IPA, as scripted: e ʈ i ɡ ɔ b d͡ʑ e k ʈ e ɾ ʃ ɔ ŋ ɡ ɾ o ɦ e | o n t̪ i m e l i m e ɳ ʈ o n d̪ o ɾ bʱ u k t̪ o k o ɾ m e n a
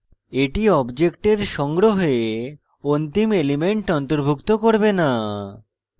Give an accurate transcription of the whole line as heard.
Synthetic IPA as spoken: e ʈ i ɔ b d͡ʑ e k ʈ e ɾ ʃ ɔ ŋ ɡ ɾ o ɦ e | o n t̪ i m e l i m e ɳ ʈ ɔ n t̪ o ɾ bʱ u k t̪ o k o ɾ b e n a

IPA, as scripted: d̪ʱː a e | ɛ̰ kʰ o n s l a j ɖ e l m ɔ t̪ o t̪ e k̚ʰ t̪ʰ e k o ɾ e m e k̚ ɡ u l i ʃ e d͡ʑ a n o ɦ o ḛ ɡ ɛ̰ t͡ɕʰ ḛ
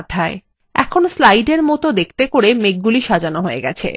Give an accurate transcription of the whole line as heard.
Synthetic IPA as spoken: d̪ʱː a e | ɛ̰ kʰ o n s l a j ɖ e ɾ m ɔ t̪ o d̪ e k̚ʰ t̪ e k o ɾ e m e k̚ ɡ u l i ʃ a d͡ʑ a n o ɦ o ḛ ɡ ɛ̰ t͡ɕʰ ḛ

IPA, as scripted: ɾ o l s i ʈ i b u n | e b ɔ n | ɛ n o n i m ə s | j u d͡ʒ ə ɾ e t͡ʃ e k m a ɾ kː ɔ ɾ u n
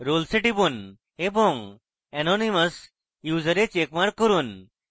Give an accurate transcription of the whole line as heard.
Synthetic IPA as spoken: ɾ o l s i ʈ i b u n | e b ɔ ŋ | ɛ n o n i m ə s | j u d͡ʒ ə ɾ e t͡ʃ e k m a ɾ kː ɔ ɾ u n

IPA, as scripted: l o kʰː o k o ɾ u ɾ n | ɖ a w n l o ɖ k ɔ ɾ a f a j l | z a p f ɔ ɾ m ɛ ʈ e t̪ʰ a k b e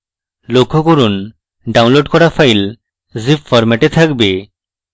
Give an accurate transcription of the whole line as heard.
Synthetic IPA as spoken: l o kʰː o k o ɾ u n | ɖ a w n l o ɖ k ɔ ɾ a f a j l | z i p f ɔ ɾ m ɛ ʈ e t̪ʰ a k b e

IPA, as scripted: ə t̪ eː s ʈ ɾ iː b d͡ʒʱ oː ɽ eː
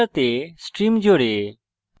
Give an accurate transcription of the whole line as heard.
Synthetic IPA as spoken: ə t̪ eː s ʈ ɾ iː m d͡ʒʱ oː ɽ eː

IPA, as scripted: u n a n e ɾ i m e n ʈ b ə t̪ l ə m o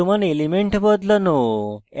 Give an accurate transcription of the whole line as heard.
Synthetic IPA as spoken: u m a n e l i m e ɳ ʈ b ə d̪ l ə n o

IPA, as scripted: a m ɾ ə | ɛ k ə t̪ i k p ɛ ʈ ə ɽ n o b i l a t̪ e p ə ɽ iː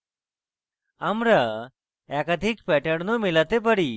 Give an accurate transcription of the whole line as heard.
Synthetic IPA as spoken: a m ɾ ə | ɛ k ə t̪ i k p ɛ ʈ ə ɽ n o m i l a t̪ e p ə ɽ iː

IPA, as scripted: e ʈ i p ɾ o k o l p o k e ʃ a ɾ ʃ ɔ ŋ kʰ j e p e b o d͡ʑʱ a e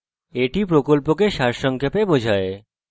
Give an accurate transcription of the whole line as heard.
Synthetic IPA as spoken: e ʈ i p ɾ o k o l p o k e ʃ a ɾ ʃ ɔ ŋ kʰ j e p e b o d͡ʑʱ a e

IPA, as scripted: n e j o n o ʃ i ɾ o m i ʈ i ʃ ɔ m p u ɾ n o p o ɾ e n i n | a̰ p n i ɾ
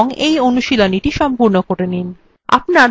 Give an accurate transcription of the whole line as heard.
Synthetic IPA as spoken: ŋ e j o n u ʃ i l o n i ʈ i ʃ ɔ m p u ɾ n o k o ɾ e n i n | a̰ p n a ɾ

